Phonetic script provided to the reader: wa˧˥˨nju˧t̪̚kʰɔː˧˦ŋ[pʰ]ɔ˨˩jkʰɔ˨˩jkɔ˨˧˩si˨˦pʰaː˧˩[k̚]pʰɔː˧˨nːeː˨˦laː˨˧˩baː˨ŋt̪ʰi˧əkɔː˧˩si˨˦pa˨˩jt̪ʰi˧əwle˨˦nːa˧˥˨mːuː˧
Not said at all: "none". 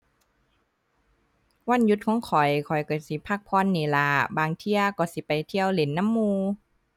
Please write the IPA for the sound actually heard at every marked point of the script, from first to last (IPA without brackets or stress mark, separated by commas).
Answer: kʰ, k̚